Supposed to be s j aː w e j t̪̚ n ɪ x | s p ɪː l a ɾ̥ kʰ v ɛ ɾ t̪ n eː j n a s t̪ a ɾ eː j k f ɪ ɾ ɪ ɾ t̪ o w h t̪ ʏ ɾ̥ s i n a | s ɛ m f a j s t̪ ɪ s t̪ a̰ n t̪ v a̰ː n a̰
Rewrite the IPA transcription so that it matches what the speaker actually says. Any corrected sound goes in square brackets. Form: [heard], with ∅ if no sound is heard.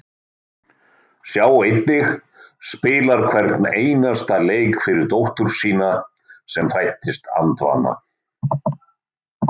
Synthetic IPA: s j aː w e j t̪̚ n ɪ x | s p ɪː l a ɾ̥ kʰ v ɛ ɾ t̪ n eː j n a s t̪ a [l] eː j k f ɪ ɾ ɪ ɾ t̪ o w h t̪ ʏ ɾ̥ s [iː] n a | s ɛ m f a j [h] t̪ ɪ s t̪ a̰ n t̪ v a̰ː n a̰